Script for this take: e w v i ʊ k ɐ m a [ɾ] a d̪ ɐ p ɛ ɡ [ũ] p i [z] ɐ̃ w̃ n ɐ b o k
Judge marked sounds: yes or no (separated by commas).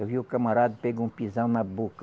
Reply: yes, yes, yes